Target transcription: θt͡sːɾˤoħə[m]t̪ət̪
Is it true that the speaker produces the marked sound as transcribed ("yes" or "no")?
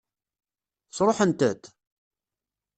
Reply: no